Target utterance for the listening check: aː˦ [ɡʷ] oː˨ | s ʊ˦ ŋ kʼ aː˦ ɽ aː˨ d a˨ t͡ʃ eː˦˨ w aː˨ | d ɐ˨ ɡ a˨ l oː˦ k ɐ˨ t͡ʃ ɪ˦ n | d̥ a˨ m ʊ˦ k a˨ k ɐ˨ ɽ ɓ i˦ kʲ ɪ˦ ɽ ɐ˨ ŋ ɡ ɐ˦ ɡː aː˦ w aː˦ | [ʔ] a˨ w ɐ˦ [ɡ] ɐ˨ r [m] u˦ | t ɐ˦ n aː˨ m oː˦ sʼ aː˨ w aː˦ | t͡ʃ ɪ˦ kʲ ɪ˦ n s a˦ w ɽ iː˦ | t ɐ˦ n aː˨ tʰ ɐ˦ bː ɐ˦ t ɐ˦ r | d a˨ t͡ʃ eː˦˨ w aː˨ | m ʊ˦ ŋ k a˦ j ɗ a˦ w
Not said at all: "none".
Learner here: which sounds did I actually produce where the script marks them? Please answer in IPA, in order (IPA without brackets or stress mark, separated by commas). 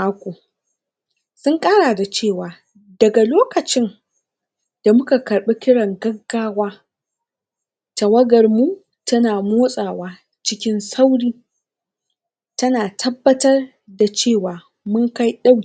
kʷ, t, ɡ, m